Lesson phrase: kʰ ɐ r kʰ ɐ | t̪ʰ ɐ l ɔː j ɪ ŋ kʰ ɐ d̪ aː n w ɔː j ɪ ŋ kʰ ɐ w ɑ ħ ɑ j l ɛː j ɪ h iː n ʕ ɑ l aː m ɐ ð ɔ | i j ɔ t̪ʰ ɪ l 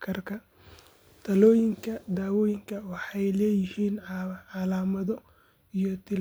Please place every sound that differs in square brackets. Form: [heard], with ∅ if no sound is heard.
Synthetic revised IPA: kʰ ɐ r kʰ ɐ | t̪ʰ ɐ l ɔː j ɪ ŋ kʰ ɐ d̪ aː [∅] w ɔː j ɪ ŋ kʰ ɐ w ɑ ħ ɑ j l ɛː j ɪ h iː n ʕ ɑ l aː m ɐ ð ɔ | i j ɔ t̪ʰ ɪ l